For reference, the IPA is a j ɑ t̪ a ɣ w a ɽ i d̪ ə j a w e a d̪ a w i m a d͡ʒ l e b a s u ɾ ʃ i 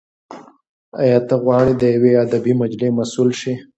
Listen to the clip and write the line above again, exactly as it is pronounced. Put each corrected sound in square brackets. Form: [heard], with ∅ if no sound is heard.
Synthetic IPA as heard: a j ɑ t̪ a ɣ w [ɑ] ɽ i d̪ ə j a w e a d̪ a [b] i m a d͡ʒ l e [m] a s u [l] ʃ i